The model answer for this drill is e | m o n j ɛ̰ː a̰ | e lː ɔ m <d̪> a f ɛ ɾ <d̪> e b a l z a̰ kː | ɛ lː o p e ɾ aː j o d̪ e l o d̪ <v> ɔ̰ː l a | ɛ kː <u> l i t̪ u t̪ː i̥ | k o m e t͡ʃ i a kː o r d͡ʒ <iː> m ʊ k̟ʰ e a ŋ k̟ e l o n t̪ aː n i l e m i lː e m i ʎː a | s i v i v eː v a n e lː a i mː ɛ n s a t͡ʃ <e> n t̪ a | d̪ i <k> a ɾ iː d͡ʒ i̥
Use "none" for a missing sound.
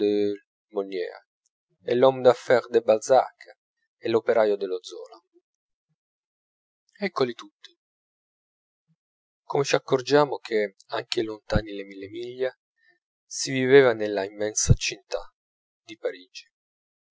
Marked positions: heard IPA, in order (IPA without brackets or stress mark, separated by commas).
d̪, d̪, z, o, aː, i, p